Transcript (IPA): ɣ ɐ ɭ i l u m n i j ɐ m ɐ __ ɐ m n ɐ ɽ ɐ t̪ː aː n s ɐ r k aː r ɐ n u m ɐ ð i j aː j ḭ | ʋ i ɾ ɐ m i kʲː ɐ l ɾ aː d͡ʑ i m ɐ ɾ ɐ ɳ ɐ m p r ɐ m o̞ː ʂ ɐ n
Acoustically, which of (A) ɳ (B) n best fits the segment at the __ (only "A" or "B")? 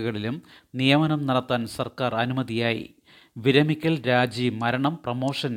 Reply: B